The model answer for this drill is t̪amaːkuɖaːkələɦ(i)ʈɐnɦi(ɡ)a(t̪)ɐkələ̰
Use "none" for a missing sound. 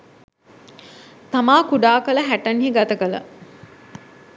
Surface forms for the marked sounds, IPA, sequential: æ, ɡ, t̪

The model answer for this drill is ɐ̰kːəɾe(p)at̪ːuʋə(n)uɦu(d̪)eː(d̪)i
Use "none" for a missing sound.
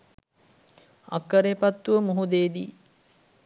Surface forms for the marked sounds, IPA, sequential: p, m, d̪, d̪

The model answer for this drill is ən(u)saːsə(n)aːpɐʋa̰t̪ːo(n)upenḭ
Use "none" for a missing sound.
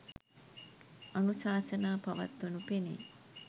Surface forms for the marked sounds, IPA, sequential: u, n, n

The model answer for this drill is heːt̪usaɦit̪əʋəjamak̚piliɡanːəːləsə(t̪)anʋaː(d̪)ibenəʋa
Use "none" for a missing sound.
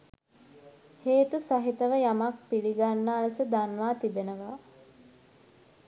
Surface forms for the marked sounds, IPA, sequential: d̪, t̪

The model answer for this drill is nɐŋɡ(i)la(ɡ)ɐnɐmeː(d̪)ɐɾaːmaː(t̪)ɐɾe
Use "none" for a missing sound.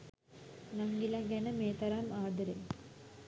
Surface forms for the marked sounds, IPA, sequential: i, ɡ, t̪, d̪

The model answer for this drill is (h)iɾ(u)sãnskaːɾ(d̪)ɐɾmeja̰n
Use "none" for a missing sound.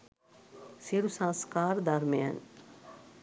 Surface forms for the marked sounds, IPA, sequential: s, u, d̪

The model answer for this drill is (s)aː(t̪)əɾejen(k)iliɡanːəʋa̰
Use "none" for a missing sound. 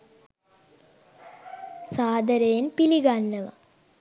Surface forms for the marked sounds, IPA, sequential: s, d̪, p

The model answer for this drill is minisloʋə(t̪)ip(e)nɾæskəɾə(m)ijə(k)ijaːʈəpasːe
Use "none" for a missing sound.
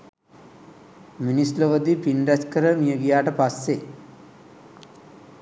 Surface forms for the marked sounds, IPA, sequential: d̪, i, m, ɡ

